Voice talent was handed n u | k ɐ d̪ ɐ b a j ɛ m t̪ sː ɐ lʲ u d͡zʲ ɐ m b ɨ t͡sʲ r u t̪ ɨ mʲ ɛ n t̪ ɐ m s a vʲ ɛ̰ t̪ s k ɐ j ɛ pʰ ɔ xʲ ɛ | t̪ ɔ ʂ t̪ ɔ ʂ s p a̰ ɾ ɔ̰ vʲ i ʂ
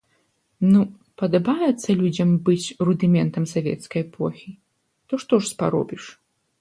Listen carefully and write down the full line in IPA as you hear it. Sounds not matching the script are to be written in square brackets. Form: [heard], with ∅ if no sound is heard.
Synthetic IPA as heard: n u | [p] ɐ d̪ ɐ b a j ɛ [∅] t̪ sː ɐ lʲ u d͡zʲ ɐ m b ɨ t͡sʲ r u [d̪] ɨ mʲ ɛ n t̪ ɐ m s a vʲ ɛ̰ t̪ s k ɐ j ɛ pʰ ɔ xʲ [i] | t̪ ɔ ʂ t̪ ɔ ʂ s p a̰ ɾ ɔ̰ [bʲ] i ʂ